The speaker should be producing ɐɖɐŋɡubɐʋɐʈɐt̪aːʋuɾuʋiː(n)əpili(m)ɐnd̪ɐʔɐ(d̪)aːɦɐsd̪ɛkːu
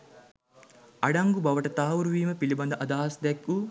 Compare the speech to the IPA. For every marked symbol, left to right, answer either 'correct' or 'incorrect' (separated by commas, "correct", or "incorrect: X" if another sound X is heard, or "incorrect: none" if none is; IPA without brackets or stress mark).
incorrect: m, incorrect: b, correct